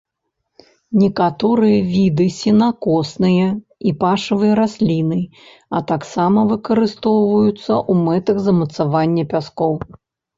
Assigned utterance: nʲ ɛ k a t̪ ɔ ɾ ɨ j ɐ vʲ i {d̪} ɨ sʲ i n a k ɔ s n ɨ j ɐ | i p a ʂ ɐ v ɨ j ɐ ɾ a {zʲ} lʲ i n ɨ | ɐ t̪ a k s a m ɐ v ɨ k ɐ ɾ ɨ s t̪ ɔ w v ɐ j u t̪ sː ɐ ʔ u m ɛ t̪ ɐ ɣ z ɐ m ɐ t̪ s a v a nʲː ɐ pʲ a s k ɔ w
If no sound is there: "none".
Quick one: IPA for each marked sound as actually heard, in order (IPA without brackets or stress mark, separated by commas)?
d̪, sʲ